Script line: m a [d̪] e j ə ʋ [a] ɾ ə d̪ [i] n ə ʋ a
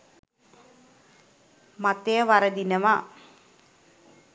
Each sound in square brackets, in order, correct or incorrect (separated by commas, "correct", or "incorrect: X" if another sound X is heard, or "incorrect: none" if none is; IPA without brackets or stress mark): incorrect: t̪, correct, correct